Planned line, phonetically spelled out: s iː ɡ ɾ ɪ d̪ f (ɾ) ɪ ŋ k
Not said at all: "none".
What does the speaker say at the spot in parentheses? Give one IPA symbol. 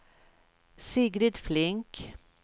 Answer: l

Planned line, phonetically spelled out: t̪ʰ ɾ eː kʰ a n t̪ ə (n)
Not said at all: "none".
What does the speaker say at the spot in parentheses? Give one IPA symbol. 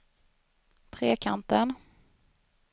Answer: n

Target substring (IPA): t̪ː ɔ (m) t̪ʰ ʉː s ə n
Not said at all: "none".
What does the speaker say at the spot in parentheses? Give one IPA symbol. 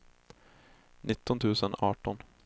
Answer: n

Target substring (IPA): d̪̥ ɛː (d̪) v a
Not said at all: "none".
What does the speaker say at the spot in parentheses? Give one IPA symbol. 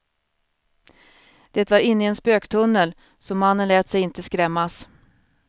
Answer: t̪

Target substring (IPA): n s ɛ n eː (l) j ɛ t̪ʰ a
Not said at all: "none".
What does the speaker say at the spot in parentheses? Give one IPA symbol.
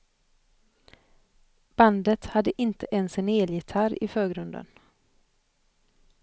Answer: l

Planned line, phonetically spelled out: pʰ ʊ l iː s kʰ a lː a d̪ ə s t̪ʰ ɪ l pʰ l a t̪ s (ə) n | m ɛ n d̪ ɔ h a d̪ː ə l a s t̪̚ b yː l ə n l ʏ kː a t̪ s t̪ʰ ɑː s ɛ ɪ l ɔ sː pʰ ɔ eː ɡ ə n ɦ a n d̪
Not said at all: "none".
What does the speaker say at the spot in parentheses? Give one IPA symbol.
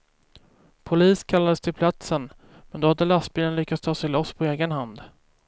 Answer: ə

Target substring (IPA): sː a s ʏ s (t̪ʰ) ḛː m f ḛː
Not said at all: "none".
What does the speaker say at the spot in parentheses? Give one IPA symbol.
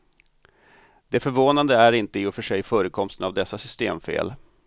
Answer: t̪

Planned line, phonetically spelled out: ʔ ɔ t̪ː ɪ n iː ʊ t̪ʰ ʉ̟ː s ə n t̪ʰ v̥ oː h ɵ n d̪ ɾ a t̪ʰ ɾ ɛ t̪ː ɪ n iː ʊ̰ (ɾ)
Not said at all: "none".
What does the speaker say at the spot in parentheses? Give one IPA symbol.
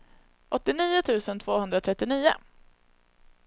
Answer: none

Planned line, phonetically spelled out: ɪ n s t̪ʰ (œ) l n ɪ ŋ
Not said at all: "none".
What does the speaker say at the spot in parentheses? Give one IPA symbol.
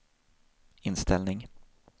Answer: ɛ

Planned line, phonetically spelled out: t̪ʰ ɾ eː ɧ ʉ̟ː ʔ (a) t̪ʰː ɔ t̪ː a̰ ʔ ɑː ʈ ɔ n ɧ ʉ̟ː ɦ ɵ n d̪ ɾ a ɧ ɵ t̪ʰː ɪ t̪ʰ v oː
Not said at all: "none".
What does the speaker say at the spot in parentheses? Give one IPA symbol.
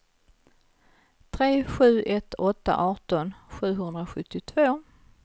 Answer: ɛ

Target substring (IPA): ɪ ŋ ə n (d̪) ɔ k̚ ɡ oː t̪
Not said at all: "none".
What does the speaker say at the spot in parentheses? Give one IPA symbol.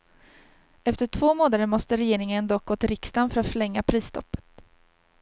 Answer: d̪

